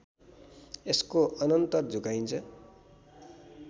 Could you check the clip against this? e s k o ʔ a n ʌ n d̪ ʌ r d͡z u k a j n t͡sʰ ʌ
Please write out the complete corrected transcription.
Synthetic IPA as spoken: e s k o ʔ ʌ n ʌ n t̪ ʌ r d͡z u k a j n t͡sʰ ʌ